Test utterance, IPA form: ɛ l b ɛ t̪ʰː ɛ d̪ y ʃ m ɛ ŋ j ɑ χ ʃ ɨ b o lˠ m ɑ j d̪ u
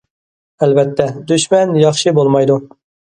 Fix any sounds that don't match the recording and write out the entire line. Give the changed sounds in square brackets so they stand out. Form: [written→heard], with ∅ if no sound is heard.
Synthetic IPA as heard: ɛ l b ɛ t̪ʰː ɛ d̪ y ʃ m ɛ [ŋ→n] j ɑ χ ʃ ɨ b o lˠ m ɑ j d̪ u